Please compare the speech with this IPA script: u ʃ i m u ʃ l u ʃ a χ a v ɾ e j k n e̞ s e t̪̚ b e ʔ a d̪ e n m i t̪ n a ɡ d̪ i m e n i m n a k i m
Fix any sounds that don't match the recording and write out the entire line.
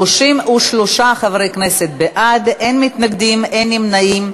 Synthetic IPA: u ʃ i m u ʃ l o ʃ a χ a v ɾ e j k n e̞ s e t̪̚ b e ʔ a d̪ e n m i t̪ n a ɡ d̪ i m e n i m n a i m